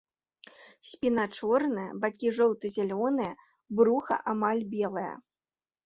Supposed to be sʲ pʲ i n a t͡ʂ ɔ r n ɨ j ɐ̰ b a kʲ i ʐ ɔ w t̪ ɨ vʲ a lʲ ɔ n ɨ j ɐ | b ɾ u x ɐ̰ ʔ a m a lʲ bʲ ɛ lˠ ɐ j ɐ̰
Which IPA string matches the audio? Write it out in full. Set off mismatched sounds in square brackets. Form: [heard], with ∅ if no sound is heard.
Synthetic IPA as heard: sʲ pʲ i n a t͡ʂ ɔ r n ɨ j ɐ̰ b a kʲ i ʐ ɔ w t̪ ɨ [zʲ] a lʲ ɔ n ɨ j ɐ | b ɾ u x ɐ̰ ʔ a m a lʲ bʲ ɛ lˠ ɐ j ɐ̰